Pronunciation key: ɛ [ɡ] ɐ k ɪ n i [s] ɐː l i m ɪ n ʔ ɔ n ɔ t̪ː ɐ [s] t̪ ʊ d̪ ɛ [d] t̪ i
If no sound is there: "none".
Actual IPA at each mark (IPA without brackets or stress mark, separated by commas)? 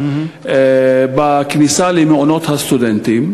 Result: b, s, s, n